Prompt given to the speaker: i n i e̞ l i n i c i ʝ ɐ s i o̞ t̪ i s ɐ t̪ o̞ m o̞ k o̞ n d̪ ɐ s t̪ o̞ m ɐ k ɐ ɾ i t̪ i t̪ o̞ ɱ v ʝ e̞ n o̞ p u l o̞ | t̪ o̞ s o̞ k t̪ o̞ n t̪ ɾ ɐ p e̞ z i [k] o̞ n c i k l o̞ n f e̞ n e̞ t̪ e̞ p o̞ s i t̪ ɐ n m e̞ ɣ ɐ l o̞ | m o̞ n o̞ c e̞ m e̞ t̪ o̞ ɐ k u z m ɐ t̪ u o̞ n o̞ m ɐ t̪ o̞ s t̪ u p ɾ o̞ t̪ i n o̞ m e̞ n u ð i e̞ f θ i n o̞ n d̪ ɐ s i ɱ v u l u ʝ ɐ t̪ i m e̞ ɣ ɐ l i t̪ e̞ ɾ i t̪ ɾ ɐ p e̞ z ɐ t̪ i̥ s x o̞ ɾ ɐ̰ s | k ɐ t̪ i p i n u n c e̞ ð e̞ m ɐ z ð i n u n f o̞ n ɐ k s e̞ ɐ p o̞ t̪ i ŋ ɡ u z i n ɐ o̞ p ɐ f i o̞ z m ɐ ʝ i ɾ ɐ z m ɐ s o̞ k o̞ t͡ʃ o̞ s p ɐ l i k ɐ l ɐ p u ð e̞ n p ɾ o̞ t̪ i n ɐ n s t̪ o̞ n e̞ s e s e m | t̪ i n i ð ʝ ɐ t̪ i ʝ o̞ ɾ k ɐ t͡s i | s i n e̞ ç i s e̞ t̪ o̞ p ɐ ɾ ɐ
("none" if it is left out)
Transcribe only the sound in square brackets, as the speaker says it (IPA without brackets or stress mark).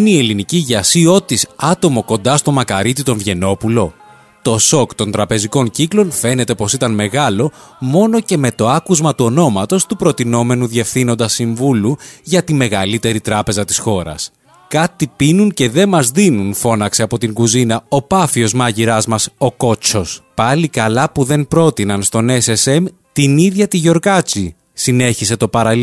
k